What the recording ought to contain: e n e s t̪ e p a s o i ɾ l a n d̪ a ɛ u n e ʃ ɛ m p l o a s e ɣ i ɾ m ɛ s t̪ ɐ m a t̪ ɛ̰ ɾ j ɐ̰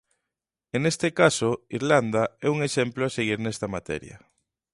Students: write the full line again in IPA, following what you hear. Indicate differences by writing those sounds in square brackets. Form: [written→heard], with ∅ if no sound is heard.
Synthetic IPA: e n e s t̪ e [p→k] a s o i ɾ l a n d̪ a ɛ u [n→ŋ] e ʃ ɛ m p l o a s e ɣ i ɾ [m→n] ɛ s t̪ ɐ m a t̪ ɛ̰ ɾ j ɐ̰